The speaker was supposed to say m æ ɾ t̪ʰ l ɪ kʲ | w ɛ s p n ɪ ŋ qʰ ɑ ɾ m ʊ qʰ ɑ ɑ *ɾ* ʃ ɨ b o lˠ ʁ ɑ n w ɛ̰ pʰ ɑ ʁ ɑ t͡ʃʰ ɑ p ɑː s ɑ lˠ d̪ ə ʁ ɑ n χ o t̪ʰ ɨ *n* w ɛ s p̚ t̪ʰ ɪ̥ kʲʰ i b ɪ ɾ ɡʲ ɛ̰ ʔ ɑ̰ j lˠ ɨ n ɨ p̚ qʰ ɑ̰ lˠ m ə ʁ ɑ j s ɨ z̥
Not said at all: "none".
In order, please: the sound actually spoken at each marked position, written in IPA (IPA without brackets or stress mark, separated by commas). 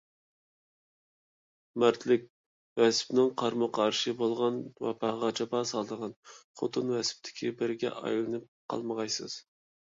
ɾ, n